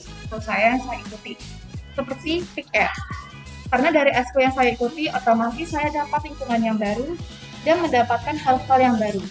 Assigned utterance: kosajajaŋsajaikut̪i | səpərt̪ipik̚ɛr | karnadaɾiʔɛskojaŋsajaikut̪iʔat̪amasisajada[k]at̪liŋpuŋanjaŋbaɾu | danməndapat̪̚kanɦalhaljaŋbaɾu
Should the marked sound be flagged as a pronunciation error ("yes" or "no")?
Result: yes